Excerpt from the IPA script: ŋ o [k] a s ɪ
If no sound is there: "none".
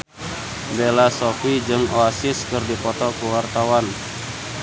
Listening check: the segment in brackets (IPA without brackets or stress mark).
none